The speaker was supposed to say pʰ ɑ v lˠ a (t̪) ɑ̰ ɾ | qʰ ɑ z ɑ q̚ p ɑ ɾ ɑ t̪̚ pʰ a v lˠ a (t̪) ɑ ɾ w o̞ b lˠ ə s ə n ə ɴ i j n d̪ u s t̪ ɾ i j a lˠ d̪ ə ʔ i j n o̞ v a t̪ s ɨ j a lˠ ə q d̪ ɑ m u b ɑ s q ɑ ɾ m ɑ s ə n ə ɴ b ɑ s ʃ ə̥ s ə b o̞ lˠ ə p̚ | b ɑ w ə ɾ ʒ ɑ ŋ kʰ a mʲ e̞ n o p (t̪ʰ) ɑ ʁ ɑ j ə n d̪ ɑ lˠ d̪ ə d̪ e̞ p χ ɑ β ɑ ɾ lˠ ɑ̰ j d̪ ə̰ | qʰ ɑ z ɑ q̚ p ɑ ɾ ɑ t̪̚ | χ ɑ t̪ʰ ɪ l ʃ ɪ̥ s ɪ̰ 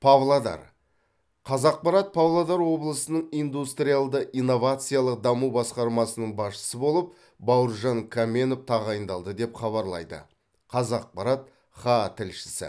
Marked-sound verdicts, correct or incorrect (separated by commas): incorrect, incorrect, correct